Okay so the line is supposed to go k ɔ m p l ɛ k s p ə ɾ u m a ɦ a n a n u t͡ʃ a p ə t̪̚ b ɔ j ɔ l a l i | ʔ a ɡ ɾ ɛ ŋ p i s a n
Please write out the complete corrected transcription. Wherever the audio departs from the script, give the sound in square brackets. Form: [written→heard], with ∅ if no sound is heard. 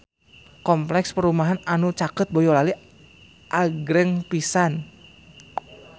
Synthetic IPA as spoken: k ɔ m p l ɛ k s p ə ɾ u m a ɦ a n a n u t͡ʃ a [p→k] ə t̪̚ b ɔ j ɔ l a l i | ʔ a ɡ ɾ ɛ ŋ p i s a n